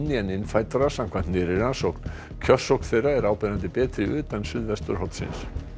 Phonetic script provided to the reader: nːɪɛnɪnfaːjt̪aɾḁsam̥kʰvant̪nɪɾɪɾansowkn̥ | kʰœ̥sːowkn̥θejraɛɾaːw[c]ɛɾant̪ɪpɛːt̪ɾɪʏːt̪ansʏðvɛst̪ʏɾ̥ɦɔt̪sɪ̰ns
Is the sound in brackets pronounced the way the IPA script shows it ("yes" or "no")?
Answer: no